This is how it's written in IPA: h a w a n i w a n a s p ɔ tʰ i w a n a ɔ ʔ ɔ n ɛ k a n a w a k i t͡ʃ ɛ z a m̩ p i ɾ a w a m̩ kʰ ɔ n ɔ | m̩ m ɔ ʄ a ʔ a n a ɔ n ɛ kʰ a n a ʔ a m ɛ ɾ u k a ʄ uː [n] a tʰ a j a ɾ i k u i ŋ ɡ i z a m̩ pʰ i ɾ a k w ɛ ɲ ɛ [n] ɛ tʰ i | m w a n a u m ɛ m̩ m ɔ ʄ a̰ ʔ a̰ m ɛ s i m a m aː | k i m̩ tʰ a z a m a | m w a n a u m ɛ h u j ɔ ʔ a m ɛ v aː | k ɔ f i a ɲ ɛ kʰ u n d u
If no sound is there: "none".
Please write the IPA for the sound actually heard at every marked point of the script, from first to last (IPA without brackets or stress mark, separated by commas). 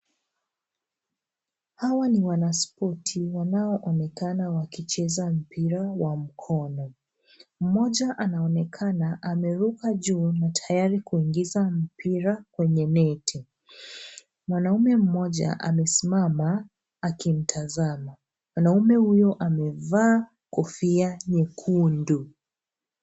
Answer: n, n